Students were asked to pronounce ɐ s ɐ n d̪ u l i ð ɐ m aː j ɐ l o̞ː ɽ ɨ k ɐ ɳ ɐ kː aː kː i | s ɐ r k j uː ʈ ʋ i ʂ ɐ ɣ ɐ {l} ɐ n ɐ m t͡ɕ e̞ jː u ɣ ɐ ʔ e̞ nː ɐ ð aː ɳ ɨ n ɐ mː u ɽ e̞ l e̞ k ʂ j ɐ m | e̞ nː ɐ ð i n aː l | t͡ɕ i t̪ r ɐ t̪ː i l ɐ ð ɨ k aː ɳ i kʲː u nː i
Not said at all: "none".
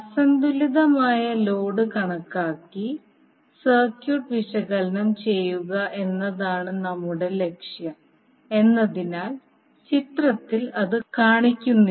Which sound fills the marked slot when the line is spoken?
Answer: l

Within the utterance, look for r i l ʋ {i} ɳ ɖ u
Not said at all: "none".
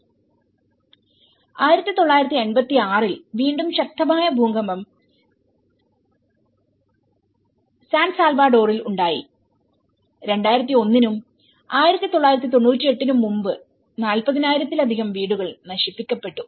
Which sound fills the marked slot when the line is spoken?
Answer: iː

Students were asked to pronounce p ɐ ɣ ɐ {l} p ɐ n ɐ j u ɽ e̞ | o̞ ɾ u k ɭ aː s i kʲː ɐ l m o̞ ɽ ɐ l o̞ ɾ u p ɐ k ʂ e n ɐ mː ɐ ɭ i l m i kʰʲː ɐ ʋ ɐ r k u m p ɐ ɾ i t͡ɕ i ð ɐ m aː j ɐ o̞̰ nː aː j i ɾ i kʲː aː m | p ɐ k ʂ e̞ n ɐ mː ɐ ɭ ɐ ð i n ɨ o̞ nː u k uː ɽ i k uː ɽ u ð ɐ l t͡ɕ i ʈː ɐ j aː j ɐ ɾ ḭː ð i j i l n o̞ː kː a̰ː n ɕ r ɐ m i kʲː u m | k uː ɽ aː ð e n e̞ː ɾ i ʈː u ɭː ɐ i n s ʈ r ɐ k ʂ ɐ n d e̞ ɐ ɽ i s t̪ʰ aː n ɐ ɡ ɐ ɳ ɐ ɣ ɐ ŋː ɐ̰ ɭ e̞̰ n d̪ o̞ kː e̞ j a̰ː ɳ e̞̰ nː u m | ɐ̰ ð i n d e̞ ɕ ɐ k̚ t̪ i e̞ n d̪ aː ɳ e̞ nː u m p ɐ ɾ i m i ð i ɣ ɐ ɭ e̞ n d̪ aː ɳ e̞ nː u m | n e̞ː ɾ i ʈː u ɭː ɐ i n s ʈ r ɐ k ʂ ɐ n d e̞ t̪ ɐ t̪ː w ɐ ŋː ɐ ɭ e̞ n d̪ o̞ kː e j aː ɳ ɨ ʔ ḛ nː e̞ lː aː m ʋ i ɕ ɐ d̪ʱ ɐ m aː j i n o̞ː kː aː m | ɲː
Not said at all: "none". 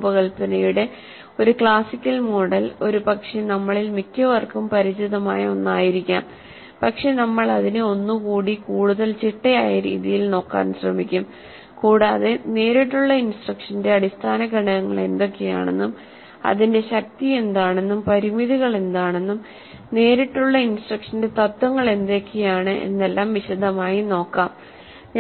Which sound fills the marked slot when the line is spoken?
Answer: ɭ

